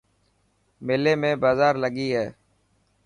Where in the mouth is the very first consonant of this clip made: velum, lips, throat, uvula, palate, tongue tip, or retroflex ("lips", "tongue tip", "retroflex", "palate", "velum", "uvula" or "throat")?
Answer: lips